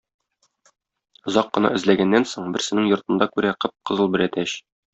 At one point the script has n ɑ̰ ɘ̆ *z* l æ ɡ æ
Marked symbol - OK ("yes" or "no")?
yes